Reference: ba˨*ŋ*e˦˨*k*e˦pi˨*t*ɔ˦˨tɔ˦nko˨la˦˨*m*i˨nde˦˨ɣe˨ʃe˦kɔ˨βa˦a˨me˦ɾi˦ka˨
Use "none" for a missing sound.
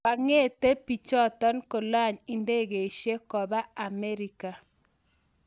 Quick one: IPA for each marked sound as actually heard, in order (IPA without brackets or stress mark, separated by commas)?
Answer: ŋ, t, t͡ʃ, ɲ